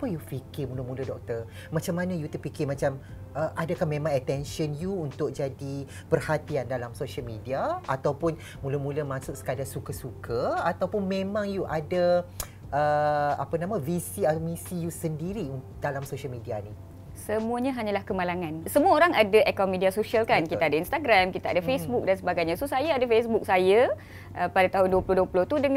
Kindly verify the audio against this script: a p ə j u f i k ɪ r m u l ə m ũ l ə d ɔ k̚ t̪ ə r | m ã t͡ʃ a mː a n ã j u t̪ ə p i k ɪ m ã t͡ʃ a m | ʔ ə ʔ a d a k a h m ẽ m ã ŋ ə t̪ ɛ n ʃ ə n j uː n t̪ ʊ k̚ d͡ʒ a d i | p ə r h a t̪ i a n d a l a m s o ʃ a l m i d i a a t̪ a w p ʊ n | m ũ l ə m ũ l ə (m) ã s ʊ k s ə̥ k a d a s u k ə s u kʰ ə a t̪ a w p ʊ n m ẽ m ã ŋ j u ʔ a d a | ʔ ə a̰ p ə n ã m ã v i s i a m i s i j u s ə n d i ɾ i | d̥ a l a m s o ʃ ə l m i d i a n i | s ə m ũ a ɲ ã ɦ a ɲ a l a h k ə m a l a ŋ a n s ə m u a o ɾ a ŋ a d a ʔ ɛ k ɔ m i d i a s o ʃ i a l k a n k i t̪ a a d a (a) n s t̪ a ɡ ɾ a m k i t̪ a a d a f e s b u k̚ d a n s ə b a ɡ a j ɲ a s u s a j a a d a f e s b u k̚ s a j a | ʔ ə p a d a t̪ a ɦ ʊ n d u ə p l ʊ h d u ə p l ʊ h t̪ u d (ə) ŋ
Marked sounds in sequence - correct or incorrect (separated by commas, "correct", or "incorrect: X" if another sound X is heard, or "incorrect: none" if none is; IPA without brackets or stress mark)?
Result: correct, incorrect: i, correct